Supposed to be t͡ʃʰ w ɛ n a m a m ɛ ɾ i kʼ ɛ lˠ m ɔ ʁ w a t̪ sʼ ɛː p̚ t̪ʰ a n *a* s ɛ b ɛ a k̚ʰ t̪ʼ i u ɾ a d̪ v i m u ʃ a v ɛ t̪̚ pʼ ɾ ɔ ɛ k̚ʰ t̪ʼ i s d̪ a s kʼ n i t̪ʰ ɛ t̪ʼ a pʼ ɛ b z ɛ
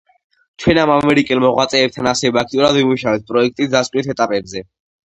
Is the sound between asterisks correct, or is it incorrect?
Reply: correct